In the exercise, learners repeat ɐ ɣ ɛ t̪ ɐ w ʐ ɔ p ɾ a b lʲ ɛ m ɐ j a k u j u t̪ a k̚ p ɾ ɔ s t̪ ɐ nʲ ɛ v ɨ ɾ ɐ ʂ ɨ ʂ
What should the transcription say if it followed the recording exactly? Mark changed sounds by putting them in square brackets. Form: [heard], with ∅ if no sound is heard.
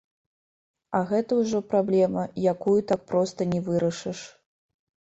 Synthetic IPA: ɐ ɣ ɛ t̪ ɐ w ʐ ɔ p ɾ a b lʲ ɛ m ɐ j a k u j u t̪ a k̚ p ɾ ɔ s t̪ ɐ nʲ ɛ v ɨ ɾ ɐ ʂ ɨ ʂ